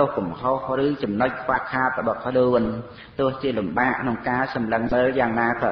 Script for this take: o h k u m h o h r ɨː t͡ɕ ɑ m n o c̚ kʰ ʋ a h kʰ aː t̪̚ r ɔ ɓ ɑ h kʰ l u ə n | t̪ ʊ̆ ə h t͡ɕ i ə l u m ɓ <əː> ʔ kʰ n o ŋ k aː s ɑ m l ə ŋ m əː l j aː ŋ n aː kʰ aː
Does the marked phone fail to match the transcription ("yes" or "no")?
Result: yes